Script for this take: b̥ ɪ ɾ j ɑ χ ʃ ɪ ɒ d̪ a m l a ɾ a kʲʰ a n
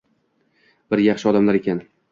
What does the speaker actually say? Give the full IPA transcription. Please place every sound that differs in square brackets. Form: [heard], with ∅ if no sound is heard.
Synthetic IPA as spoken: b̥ ɪ ɾ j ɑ χ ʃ ɪ ɒ d̪ a m l a ɾ [e] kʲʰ a n